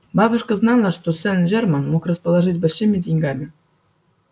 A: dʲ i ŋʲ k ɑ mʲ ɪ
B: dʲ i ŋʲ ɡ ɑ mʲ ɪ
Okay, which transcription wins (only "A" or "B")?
B